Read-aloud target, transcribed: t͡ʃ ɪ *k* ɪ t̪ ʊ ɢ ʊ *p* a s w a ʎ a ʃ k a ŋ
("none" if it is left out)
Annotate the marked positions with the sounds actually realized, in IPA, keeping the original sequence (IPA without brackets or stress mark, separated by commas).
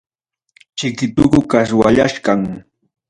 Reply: k, k